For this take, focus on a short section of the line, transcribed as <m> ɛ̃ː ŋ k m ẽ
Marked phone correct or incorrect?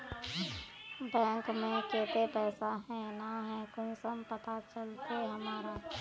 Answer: incorrect